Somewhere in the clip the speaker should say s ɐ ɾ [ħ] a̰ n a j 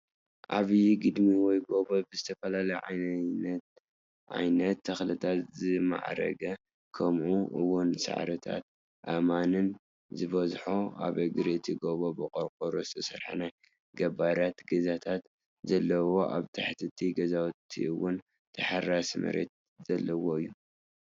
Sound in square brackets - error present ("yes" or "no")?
no